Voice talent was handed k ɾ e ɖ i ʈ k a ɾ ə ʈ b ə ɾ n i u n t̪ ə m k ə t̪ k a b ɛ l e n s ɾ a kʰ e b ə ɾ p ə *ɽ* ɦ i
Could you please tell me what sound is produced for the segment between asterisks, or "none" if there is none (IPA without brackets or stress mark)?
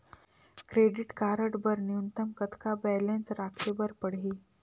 ɽ